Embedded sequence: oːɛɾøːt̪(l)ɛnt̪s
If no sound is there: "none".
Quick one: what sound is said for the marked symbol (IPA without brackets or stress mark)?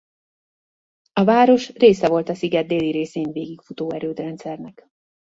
r